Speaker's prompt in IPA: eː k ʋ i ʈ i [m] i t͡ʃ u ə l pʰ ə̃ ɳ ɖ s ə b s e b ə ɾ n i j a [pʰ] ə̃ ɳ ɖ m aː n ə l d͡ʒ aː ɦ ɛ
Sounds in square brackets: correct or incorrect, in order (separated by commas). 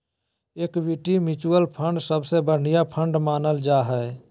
correct, correct